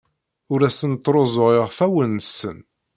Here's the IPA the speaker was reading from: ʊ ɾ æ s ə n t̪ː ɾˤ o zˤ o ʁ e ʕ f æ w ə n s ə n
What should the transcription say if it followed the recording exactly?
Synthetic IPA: ʊ ɾ æ s ə n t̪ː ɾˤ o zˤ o ʁ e ʁ f æ w ə n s ə n

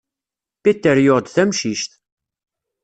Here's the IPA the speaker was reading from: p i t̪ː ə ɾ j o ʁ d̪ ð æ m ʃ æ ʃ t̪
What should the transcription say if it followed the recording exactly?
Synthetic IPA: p i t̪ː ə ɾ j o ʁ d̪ θ æ m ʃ i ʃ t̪

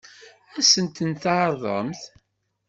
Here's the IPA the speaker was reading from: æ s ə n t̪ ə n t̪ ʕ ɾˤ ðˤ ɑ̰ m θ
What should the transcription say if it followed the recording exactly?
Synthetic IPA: æ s ə n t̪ ə n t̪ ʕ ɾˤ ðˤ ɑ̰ m θ

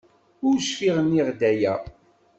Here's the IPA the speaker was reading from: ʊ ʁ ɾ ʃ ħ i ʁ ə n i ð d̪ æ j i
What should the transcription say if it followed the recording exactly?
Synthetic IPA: ʊ ɾ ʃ f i ʁ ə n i ʁ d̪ æ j æ

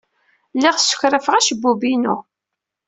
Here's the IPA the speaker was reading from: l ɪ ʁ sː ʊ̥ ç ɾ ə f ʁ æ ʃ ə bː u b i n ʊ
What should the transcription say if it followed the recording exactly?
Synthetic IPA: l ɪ ʁ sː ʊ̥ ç ɾ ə f ʁ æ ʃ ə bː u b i n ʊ

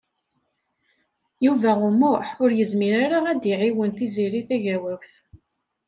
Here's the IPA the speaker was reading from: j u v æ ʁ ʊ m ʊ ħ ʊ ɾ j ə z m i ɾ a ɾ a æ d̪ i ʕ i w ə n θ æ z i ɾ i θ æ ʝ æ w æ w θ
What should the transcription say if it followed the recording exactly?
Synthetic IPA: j u v æ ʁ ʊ m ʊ ħ ʊ ɾ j ə z m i ɾ a ɾ a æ d̪ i ʕ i w ə n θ i z i ɾ i θ æ ʝ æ w æ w θ

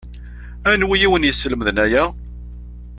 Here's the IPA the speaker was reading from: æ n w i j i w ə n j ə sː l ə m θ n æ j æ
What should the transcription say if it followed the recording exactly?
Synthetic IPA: æ n w i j i w ə n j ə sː l ə m ð n æ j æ

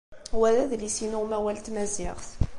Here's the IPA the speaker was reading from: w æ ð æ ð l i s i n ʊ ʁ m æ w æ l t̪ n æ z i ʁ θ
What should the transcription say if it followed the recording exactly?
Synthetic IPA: w æ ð æ ð l i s i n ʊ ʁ m æ w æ l t̪ m æ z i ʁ θ

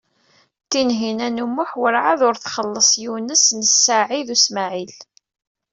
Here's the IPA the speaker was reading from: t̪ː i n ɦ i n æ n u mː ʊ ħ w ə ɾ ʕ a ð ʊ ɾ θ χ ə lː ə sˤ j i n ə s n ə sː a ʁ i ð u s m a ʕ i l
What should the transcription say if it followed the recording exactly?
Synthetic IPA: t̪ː i n ɦ i n æ n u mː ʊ ħ w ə ɾ ʕ a ð ʊ ɾ θ χ ə lː ə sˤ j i n ə s n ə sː a ʕ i ð u s m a ʕ i l

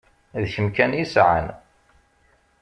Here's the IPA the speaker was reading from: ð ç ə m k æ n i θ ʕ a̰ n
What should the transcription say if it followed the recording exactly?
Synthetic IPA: ð ç ə m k æ n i s ʕ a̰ n

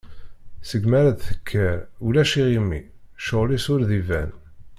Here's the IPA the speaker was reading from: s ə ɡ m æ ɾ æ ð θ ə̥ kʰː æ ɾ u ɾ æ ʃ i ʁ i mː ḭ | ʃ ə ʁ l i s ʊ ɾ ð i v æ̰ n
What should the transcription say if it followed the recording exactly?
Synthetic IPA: s ə ɡ m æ ɾ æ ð θ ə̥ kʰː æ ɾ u l æ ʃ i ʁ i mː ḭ | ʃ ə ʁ l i s ʊ ɾ ð i v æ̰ n

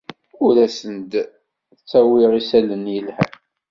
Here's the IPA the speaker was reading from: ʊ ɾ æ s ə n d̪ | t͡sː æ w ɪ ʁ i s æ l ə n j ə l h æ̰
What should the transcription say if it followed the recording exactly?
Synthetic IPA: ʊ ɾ æ s ə n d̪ | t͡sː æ w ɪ ʁ i s æ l ə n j ə l h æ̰

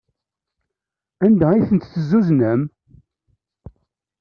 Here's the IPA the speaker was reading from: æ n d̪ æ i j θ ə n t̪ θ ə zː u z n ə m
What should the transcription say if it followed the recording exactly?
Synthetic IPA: æ n d̪ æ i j θ ə n t̪ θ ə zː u z n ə m

